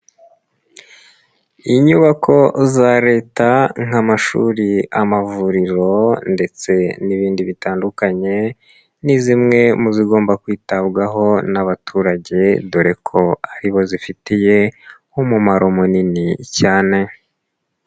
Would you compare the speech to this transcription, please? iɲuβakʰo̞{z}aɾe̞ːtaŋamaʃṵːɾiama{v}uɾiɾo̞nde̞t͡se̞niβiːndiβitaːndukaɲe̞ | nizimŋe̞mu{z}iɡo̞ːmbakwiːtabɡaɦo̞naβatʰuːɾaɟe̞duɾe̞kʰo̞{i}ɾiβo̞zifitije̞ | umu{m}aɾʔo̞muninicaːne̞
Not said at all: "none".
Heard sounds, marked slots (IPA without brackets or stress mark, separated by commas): z, v, z, a, m